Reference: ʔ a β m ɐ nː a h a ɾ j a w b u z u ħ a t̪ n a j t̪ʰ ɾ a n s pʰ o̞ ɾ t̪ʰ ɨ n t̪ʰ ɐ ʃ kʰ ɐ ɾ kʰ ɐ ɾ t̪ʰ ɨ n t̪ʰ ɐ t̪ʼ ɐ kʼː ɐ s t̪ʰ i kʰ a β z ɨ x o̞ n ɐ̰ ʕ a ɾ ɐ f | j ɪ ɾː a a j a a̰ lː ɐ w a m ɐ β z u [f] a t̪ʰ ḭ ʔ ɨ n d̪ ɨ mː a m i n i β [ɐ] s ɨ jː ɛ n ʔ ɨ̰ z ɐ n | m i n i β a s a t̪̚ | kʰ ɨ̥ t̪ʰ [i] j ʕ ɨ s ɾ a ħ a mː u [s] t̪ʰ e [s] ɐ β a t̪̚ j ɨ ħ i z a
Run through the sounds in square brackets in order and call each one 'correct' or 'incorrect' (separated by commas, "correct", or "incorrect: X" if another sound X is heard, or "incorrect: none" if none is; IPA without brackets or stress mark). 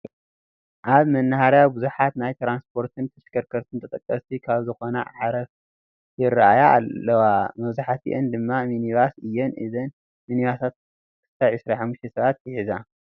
incorrect: ħ, incorrect: a, incorrect: a, incorrect: ʃ, correct